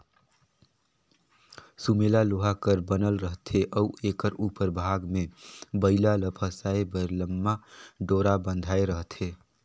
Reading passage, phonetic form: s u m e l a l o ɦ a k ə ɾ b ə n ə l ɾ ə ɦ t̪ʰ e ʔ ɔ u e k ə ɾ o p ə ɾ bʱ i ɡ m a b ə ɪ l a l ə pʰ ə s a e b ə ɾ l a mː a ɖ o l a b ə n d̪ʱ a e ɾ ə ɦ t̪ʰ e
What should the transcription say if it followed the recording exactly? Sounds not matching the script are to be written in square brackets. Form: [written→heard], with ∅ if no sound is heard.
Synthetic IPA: s u m e l a l o ɦ a k ə ɾ b ə n ə l ɾ ə ɦ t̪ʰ e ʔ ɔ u e k ə ɾ [o→u] p ə ɾ bʱ [i→a] ɡ m [a→e] b ə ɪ l a l ə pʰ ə s a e b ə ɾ l [a→ə] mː a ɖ o [l→ɾ] a b ə n d̪ʱ a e ɾ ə ɦ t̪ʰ e